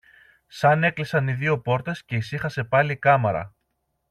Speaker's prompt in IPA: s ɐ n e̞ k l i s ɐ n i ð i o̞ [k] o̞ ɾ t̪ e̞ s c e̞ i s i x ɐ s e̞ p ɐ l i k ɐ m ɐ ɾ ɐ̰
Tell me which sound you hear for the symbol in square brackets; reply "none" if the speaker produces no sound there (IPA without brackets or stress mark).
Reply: p